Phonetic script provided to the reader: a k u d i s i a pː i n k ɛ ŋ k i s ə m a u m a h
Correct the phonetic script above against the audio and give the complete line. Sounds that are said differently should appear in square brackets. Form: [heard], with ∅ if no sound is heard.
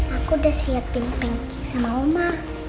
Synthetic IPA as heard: a k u d [a] s i a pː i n [p] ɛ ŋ k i s [a] m a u m a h

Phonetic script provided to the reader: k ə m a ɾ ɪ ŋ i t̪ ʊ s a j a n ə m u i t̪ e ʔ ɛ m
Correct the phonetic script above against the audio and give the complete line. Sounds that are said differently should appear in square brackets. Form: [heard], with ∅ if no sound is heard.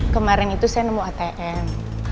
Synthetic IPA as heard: k ə m a ɾ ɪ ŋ i t̪ [u] s a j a n ə m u [a] t̪ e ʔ ɛ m

